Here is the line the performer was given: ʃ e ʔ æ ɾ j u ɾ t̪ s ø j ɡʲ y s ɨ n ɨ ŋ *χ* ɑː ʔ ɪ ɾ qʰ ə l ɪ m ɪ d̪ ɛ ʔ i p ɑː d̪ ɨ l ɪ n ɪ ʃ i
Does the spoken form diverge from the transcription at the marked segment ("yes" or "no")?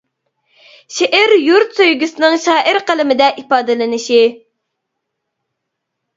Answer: yes